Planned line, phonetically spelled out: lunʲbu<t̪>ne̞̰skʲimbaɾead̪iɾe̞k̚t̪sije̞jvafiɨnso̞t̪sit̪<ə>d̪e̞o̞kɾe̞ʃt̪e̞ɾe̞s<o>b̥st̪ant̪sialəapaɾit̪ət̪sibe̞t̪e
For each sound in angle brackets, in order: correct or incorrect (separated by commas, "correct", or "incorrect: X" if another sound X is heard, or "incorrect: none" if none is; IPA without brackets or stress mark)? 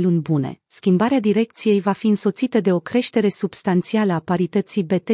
incorrect: none, correct, incorrect: u